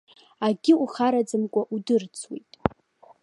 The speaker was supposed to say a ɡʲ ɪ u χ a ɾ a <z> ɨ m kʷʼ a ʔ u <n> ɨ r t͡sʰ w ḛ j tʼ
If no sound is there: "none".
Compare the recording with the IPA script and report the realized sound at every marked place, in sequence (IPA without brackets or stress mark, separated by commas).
d͡z, d